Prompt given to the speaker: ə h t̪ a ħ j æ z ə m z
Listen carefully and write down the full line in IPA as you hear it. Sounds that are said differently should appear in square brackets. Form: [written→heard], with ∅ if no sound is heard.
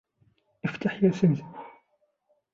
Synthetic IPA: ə [h→f] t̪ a ħ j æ [z→s] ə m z